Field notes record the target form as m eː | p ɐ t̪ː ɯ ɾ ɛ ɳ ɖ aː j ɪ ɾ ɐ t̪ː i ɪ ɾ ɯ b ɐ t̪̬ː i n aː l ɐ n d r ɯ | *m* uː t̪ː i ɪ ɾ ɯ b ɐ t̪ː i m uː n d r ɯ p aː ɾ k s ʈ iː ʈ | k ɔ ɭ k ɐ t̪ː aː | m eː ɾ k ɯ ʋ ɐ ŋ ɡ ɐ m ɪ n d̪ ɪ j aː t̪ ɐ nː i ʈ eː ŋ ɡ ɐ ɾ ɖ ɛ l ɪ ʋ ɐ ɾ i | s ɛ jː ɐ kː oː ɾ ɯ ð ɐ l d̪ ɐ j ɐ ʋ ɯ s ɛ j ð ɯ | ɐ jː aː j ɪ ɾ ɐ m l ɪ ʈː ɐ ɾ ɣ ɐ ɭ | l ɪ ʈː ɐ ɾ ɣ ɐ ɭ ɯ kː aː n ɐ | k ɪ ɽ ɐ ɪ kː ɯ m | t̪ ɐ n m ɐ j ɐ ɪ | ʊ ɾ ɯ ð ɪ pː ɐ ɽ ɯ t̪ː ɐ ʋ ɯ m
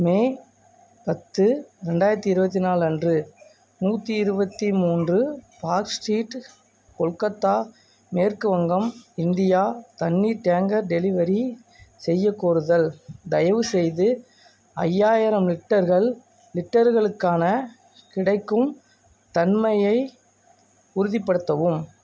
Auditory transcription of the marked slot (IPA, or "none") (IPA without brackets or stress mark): n